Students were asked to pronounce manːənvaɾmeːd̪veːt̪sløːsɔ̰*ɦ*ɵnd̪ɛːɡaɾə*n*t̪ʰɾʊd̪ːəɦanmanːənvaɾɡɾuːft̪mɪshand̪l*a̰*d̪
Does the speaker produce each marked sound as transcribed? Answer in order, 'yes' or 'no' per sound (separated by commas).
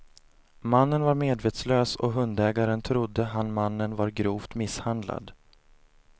yes, yes, yes